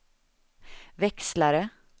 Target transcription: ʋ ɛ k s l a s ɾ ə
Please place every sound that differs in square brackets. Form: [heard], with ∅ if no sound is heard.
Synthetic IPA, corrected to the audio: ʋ ɛ k s l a [∅] ɾ ə